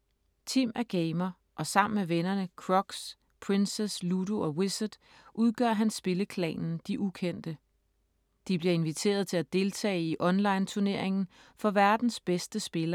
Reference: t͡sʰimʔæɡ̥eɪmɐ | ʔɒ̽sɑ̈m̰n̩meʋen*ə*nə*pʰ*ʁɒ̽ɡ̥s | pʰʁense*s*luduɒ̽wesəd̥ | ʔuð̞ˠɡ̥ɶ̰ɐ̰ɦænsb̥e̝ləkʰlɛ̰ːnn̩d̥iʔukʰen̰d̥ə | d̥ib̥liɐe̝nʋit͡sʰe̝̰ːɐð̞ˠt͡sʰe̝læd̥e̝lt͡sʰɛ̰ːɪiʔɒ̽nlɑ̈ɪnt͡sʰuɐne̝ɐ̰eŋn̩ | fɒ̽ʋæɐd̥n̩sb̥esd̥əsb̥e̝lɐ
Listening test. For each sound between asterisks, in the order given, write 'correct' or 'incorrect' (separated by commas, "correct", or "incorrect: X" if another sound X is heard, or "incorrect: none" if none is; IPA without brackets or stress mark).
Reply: incorrect: ɐ, incorrect: kʰ, correct